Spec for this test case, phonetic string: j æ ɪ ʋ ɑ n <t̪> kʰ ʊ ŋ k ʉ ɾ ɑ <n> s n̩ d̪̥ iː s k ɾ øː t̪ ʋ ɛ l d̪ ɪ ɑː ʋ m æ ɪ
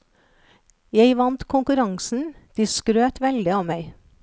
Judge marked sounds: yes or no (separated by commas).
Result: yes, no